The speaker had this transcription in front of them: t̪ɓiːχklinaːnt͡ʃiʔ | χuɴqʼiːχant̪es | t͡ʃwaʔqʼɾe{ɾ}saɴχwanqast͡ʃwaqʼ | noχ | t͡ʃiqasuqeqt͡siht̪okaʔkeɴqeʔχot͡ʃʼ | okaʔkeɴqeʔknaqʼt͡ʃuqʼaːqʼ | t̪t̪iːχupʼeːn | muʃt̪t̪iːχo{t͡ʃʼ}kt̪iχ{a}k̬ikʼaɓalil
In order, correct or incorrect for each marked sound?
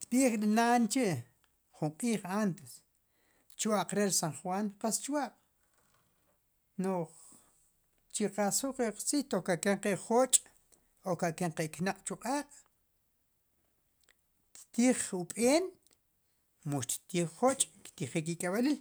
correct, correct, incorrect: i

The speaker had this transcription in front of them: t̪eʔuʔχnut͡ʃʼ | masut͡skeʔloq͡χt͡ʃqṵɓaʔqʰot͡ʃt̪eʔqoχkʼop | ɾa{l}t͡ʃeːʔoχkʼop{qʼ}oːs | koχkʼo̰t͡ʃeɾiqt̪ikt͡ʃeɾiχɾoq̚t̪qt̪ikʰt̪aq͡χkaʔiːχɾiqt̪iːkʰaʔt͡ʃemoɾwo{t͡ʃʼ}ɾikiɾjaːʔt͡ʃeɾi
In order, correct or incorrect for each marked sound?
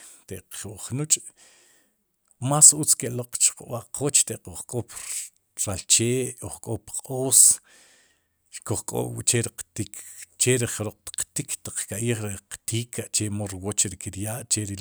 correct, correct, incorrect: t͡ʃ

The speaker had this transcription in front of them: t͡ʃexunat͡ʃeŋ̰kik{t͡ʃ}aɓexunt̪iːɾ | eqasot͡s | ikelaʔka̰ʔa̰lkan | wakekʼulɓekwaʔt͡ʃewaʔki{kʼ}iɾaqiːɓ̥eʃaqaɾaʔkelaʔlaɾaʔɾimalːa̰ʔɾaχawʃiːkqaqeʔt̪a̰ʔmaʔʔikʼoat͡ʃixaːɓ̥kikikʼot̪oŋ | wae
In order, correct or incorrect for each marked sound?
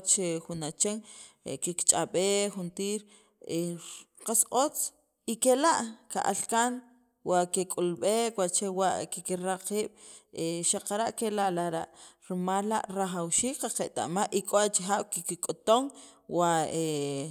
incorrect: t͡ʃʼ, incorrect: k

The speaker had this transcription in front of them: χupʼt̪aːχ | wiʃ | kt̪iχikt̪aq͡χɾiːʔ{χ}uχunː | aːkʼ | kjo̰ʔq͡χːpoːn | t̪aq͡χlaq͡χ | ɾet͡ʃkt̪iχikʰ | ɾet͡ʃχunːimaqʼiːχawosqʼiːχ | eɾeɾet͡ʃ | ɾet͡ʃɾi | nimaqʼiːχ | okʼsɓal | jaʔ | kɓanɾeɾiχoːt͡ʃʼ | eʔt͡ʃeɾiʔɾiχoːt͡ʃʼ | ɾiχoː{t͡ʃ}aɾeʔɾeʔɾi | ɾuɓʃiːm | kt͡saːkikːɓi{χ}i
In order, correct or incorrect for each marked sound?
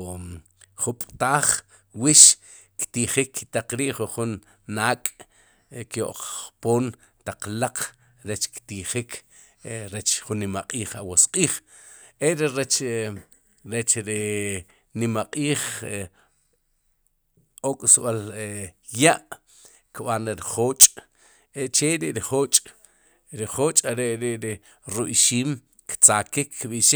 correct, incorrect: t͡ʃʼ, incorrect: ʃ

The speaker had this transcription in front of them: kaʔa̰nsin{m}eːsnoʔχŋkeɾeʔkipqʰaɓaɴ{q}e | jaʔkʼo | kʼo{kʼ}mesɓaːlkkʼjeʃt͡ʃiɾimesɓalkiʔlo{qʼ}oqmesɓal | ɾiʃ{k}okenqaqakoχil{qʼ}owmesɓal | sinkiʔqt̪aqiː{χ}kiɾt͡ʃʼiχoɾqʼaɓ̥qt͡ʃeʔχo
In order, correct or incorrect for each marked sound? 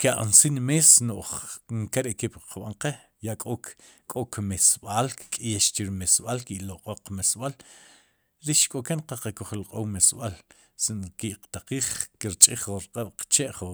correct, correct, incorrect: k, correct, incorrect: kʼ, correct, correct

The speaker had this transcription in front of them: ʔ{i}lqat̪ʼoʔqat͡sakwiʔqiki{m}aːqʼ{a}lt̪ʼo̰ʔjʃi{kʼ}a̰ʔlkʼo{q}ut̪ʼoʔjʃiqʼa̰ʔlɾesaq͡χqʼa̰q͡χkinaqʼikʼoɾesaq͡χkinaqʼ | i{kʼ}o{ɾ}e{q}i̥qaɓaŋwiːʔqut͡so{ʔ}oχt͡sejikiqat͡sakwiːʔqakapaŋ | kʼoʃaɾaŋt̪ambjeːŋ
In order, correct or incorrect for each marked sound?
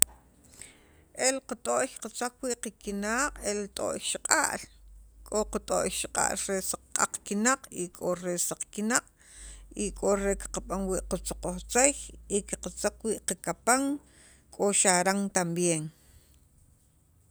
incorrect: e, incorrect: n, incorrect: e, incorrect: qʼ, correct, correct, correct, incorrect: k, incorrect: q

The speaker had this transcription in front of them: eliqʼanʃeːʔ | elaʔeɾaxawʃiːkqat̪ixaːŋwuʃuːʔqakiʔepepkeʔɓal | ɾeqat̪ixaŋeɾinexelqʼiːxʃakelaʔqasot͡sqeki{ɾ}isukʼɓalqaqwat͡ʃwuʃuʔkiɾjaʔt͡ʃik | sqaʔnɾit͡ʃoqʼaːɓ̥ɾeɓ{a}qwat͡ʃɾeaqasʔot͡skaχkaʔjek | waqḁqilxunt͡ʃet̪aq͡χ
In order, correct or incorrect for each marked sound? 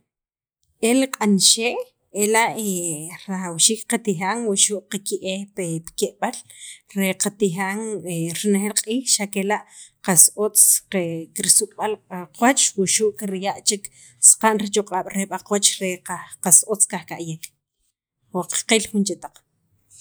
correct, correct

